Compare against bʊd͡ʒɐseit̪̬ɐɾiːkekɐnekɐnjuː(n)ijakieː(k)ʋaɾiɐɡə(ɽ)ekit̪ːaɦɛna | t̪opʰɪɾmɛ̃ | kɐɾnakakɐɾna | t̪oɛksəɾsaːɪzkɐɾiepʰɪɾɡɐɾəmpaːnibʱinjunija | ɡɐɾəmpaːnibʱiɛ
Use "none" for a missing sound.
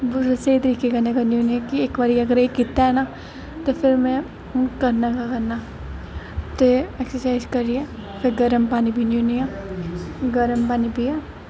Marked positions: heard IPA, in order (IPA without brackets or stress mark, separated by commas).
n, k, ɾ